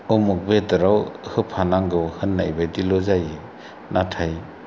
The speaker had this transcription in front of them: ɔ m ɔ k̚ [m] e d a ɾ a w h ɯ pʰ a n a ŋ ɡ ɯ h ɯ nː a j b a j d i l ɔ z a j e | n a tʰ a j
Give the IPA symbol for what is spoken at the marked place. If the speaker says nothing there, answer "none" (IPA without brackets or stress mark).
b